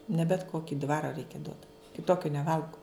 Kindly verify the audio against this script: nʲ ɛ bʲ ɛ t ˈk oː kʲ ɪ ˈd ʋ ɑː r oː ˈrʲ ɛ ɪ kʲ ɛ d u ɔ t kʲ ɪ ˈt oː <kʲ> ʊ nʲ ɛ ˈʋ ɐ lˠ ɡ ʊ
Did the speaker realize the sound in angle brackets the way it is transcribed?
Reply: yes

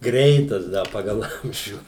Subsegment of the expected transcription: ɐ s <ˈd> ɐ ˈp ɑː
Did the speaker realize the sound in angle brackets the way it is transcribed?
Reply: yes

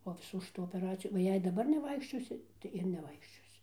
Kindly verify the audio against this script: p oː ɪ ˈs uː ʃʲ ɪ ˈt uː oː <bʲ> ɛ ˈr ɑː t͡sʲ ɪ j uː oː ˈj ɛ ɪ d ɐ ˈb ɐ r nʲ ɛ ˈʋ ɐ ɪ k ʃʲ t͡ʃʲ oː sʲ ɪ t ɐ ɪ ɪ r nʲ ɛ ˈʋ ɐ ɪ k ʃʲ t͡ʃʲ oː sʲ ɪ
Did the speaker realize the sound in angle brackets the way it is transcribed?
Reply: no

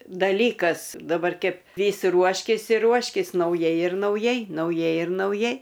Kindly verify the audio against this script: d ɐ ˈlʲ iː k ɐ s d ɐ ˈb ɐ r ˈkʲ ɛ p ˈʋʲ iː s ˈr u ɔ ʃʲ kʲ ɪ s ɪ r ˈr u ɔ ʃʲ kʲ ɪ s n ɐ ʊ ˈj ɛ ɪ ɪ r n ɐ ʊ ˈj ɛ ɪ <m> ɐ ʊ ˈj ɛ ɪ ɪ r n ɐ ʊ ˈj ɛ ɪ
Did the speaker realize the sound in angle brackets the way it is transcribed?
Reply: no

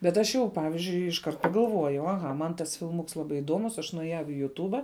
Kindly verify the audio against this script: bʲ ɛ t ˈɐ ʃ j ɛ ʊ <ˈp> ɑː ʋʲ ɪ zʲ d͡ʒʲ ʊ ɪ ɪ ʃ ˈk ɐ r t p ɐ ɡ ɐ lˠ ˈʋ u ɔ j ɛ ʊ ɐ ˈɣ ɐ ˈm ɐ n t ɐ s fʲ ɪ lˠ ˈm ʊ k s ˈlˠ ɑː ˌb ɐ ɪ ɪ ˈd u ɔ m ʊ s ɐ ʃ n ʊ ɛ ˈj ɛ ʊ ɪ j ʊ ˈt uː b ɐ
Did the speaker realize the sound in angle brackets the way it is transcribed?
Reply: yes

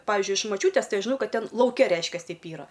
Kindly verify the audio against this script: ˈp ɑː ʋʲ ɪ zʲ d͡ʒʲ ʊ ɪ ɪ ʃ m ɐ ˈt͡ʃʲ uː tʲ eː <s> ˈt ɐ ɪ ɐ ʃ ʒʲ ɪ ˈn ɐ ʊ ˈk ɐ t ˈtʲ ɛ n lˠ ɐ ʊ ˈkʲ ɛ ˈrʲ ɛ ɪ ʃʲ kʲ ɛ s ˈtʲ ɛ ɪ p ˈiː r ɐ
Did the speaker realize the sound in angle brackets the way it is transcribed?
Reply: yes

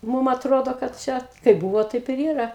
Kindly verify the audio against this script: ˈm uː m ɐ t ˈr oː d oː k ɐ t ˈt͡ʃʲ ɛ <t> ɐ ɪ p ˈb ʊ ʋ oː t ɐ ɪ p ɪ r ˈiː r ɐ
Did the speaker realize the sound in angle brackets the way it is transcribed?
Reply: no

